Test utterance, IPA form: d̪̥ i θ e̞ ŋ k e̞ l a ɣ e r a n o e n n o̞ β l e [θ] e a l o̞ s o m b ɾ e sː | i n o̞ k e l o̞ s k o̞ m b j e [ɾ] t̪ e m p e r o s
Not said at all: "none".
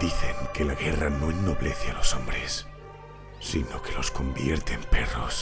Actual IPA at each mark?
θ, ɾ

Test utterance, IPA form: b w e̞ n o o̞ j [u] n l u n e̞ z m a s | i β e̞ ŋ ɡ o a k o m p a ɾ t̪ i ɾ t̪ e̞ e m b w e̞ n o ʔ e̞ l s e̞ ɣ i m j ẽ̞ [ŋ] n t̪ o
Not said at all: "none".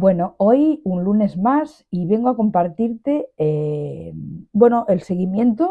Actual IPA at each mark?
u, none

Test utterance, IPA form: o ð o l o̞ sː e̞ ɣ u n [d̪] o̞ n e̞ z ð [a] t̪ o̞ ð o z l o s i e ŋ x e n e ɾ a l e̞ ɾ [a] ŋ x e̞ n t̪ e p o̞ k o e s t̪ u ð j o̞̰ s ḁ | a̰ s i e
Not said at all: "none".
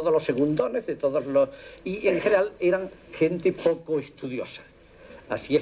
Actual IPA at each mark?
d̪, e, a

